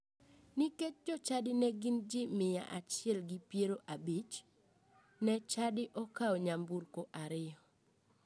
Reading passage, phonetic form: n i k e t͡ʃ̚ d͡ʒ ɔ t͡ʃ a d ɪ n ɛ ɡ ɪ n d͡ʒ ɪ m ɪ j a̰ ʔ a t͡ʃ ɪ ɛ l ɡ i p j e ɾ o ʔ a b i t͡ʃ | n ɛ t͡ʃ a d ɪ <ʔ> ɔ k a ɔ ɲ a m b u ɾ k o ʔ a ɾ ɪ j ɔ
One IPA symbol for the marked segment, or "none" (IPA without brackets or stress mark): ʔ